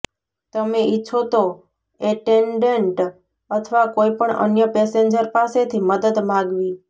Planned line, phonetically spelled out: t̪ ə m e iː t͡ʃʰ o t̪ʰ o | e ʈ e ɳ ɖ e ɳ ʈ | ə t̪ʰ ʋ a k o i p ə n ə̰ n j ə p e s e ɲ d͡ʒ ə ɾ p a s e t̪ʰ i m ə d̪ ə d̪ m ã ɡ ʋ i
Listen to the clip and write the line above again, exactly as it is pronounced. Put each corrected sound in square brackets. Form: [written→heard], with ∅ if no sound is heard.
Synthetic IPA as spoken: t̪ ə m e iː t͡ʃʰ o [t̪ʰ→t̪] o | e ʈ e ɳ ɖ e ɳ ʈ | ə t̪ʰ ʋ a k o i p ə [n→ɳ] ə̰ n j ə p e s e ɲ d͡ʒ ə ɾ p a s e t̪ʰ i m ə d̪ ə d̪ m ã ɡ ʋ i